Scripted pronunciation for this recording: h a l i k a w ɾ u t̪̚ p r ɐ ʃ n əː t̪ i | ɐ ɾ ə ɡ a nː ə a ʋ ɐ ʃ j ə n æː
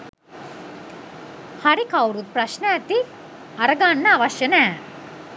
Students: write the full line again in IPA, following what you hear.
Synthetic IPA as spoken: h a ɾ i k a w ɾ u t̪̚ p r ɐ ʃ n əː t̪ i | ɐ ɾ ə ɡ a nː ə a ʋ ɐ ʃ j ə n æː